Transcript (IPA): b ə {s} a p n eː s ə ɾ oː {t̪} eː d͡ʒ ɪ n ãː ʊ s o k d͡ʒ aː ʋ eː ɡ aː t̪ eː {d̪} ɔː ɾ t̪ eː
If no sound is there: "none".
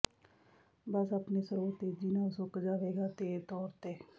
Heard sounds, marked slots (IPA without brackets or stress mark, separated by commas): s, t̪, t̪